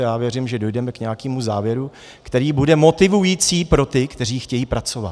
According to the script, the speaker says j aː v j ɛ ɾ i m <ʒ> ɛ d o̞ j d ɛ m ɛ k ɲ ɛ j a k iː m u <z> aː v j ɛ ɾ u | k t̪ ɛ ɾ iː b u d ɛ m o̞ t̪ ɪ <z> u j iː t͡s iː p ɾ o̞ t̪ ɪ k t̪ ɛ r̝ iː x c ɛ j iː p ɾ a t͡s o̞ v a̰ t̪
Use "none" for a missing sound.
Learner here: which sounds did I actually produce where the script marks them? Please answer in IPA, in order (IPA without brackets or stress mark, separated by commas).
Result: ʒ, z, v